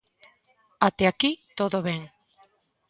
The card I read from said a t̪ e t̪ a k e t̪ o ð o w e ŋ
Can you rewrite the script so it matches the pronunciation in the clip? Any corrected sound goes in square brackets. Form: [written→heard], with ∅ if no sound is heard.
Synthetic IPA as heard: a t̪ e [t̪→∅] a k [e→i] t̪ o ð o [w→β] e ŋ